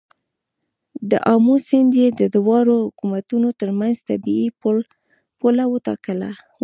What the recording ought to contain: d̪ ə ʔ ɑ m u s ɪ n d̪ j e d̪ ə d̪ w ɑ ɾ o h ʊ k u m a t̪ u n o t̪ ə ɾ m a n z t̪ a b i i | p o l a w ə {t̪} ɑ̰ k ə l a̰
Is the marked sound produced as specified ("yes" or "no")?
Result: yes